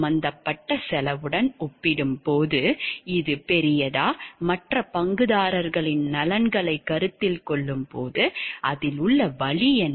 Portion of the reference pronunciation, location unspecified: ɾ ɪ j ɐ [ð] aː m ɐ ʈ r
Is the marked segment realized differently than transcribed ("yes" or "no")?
no